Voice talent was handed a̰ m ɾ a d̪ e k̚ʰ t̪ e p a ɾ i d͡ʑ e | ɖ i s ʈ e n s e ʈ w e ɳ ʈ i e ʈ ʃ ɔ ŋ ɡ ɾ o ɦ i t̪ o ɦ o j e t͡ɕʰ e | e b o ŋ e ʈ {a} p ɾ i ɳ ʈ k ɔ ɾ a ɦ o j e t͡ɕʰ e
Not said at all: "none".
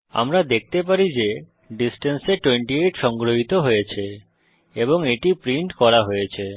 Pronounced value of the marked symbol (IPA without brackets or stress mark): i